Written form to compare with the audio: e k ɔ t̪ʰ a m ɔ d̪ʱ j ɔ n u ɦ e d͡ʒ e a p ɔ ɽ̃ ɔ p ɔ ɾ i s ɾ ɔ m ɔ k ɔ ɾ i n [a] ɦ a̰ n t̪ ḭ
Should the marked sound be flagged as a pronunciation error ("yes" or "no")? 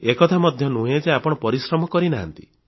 no